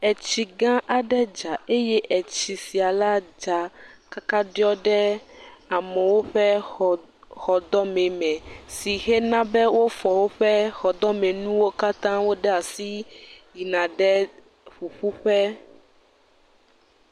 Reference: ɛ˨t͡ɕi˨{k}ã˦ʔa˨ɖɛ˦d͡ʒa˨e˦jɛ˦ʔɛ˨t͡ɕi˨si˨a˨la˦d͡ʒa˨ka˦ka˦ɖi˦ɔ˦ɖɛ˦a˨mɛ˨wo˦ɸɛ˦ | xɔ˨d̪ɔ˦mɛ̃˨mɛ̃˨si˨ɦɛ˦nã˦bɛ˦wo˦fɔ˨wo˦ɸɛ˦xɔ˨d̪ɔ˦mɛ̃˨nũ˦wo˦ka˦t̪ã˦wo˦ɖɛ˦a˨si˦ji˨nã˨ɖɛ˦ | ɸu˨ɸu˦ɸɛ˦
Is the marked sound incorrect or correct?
incorrect